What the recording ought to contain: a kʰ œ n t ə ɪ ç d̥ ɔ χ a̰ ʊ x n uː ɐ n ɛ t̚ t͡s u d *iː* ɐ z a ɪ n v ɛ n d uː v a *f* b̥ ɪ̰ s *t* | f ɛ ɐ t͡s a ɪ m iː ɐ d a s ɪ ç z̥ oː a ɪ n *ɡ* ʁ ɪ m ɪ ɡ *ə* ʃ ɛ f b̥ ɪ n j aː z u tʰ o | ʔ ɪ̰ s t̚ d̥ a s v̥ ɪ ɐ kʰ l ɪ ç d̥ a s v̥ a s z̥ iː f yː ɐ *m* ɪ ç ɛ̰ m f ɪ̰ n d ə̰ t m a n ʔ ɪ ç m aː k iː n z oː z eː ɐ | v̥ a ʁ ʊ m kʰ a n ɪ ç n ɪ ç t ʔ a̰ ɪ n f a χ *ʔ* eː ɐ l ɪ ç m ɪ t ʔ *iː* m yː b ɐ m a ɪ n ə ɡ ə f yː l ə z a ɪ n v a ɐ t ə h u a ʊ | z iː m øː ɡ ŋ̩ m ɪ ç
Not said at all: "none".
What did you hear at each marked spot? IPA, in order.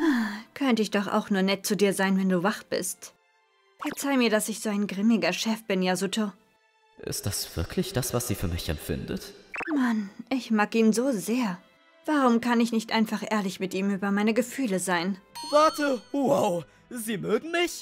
iː, χ, t, ɡ, ɐ, m, ʔ, iː

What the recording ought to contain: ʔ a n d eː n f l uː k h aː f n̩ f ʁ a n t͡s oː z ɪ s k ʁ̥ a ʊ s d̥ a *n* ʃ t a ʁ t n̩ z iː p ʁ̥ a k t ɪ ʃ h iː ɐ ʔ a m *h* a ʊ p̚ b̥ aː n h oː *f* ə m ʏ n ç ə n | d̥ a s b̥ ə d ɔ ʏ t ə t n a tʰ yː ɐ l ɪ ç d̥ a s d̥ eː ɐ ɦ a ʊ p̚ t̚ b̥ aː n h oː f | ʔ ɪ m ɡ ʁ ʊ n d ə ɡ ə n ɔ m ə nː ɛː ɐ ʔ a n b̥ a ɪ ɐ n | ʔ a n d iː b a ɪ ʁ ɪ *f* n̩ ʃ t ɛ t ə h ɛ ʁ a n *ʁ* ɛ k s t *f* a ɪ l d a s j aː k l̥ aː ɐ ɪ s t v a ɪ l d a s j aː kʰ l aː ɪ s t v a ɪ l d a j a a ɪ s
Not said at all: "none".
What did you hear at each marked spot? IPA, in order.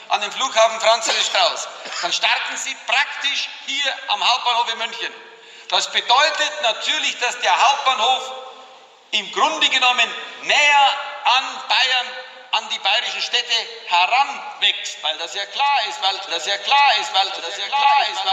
n, h, f, ʃ, v, v

